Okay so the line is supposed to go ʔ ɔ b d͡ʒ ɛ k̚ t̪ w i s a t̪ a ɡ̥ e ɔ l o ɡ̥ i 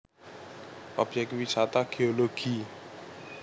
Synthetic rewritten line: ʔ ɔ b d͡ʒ ɛ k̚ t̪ w i s a t̪ a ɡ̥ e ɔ l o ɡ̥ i